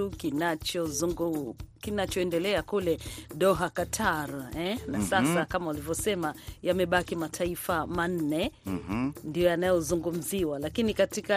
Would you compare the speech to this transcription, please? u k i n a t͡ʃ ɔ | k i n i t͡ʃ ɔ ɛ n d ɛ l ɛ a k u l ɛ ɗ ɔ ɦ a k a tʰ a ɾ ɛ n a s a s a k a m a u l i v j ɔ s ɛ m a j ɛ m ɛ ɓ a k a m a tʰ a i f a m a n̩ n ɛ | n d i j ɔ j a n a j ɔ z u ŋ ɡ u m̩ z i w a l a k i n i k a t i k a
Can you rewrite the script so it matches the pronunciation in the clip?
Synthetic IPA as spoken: u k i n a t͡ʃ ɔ | k i n a t͡ʃ ɔ ɛ n d ɛ l ɛ a k u l ɛ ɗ ɔ ɦ a k a tʰ a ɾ ɛ n a s a s a k a m a u l i v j ɔ s ɛ m a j a m ɛ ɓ a k i m a tʰ a i f a m a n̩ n ɛ | n d i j ɔ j a n a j ɔ z u ŋ ɡ u m̩ z i w a l a k i n i k a t i k a